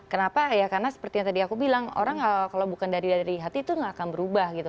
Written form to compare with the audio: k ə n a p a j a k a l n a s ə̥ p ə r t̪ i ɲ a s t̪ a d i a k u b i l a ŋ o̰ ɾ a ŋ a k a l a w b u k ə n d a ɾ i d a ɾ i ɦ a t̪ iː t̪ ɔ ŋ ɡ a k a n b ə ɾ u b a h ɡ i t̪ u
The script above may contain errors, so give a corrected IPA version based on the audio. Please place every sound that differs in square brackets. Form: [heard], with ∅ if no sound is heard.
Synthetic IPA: k ə n a p a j a k a [r] n a s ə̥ p ə r t̪ i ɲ a [∅] t̪ a d i a k u b i l a ŋ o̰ ɾ a ŋ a k a l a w b u k [a] n d a ɾ i d a ɾ i ɦ a t̪ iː t̪ [u] ŋ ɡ a k a n b ə ɾ u b a h ɡ i t̪ u